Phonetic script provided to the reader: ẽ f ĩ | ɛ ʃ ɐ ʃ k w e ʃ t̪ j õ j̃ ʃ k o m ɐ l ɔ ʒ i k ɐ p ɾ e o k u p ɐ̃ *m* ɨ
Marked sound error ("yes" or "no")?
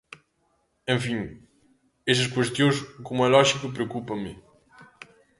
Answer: no